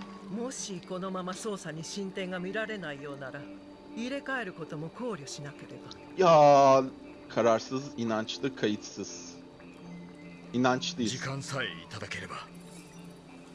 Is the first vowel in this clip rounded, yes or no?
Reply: yes